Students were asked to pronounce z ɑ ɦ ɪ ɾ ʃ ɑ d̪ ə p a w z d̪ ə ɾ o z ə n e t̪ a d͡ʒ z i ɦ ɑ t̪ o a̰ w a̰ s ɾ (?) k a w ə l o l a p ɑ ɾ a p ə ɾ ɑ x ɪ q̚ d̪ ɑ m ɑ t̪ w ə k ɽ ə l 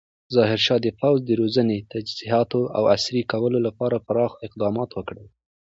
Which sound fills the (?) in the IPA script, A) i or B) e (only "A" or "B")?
A